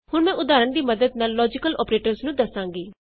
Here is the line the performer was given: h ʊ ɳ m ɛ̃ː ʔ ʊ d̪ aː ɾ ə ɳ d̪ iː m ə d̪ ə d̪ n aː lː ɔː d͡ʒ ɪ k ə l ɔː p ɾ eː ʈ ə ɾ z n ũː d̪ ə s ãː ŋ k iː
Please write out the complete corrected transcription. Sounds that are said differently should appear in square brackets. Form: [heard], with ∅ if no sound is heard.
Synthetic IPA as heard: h ʊ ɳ m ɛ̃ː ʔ ʊ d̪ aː ɾ ə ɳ d̪ iː m ə d̪ ə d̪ n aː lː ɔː d͡ʒ ɪ k ə l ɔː p ɾ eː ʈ ə ɾ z n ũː d̪ ə s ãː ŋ [ɡ] iː